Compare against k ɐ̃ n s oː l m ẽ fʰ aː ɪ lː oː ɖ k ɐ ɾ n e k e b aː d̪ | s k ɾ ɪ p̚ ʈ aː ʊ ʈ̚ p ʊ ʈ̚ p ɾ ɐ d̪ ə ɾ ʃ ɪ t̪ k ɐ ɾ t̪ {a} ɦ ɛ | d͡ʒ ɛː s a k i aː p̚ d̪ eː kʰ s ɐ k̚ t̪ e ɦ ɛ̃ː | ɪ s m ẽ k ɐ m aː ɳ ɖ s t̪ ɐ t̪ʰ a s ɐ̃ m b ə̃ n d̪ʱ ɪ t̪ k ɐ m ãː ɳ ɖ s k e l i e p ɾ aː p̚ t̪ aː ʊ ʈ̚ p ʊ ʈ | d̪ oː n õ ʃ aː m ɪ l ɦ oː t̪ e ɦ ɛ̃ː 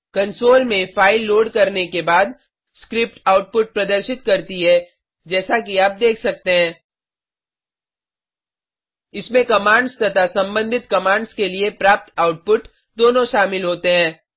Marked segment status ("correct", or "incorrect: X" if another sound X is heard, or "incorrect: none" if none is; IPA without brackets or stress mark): incorrect: i